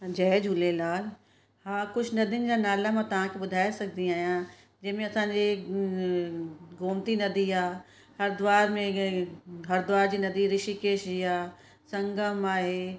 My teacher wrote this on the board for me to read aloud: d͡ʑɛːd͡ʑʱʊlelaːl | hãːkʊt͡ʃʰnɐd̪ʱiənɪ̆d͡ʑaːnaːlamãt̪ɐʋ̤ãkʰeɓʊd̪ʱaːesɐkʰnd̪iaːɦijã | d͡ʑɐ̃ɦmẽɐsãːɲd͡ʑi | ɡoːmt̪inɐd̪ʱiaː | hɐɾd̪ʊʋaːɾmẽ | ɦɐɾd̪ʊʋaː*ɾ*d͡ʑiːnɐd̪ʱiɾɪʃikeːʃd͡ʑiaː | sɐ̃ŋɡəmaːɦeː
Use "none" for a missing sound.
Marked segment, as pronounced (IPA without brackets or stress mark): ɾ